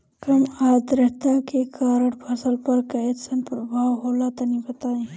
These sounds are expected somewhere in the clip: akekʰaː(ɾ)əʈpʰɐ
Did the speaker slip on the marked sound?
no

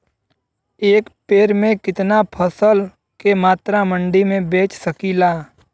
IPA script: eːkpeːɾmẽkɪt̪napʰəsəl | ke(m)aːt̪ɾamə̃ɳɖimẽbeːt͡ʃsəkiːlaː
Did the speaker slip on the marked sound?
no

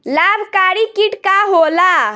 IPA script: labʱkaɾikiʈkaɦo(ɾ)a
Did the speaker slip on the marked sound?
yes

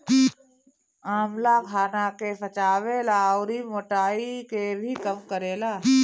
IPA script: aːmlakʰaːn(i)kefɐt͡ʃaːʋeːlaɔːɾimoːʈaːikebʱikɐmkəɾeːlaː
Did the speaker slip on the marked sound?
yes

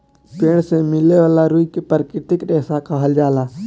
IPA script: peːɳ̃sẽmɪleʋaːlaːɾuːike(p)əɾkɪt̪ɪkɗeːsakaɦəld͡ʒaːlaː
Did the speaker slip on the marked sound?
no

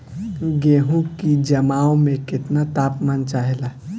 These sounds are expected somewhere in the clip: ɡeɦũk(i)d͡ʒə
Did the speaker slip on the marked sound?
no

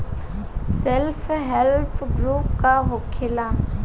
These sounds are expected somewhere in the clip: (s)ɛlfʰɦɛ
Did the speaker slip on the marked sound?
no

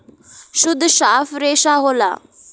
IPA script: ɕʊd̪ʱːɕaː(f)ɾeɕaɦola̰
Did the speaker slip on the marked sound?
no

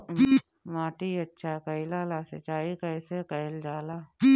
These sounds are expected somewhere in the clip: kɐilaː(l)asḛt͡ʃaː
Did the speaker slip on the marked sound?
no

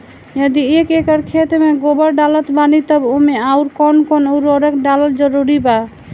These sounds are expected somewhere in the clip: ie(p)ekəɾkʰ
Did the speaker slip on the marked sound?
yes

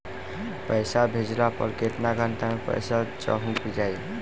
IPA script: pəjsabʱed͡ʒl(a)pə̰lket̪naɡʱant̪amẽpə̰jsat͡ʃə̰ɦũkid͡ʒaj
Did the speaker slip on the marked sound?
no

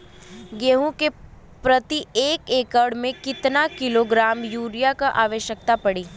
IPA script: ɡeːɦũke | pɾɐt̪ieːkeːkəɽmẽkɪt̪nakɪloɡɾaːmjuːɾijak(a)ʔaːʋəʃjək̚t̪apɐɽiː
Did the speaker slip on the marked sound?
no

